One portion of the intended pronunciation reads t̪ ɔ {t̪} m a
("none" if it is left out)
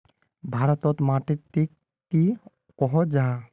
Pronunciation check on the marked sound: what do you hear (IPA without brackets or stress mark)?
t̪